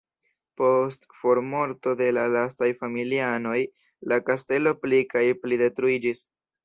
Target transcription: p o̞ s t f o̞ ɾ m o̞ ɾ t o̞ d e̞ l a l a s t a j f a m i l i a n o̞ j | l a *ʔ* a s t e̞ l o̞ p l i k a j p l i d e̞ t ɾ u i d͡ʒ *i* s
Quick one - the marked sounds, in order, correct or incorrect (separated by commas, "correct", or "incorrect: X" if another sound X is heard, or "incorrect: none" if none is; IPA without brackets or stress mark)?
incorrect: k, correct